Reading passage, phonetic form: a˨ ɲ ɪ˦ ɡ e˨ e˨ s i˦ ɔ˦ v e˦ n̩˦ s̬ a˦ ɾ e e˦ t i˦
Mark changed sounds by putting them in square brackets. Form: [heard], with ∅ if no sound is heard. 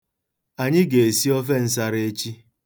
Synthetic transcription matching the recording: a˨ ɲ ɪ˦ ɡ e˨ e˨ s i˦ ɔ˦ [f] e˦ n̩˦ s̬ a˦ ɾ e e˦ [t͡ʃ] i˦

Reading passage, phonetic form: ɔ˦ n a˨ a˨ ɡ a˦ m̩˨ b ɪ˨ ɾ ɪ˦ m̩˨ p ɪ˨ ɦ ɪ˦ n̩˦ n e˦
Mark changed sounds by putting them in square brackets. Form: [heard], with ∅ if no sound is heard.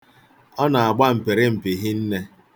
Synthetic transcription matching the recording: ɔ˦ n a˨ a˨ [ɡ͡b] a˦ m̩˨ [p] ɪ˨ ɾ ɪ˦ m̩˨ p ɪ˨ ɦ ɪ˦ n̩˦ n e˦

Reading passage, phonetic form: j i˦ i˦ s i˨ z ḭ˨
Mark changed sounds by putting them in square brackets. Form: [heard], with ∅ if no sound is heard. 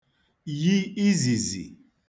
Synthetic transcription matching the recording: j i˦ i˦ [z] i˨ z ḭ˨

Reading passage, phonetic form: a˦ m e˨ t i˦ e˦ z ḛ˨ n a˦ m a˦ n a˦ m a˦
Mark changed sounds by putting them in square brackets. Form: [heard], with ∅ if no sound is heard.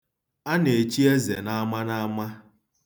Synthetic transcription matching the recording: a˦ [n] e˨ [t͡ʃ] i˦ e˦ z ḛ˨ n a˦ m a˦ n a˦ m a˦

